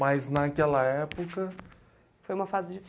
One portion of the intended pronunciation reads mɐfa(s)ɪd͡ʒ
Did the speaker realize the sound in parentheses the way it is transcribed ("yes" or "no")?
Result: no